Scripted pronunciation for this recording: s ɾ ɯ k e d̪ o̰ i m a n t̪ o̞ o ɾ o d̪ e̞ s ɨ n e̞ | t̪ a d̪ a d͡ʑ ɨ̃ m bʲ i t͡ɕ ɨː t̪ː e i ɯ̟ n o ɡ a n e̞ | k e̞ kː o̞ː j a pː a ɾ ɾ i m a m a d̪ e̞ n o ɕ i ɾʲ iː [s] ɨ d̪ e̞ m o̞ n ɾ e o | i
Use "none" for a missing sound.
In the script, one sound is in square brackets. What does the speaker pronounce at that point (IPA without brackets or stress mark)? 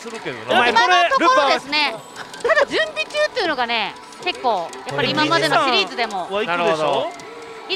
z